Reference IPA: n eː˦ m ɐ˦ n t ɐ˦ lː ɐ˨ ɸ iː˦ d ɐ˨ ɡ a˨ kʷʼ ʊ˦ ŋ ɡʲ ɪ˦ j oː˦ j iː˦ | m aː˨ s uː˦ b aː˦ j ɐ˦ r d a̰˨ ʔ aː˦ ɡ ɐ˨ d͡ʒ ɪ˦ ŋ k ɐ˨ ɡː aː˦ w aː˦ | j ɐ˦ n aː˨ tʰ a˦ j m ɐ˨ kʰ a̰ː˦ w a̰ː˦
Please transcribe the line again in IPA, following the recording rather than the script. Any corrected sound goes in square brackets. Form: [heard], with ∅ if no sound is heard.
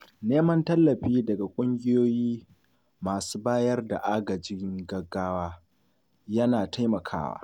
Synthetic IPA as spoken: n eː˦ m ɐ˦ n t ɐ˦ lː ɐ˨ ɸ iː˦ d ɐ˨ ɡ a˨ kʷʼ ʊ˦ ŋ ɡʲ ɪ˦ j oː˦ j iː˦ | m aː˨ s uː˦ b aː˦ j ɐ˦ r d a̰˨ ʔ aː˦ ɡ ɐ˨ d͡ʒ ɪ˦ ŋ [ɡ] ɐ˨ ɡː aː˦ w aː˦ | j ɐ˦ n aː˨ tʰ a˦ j m ɐ˨ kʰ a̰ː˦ w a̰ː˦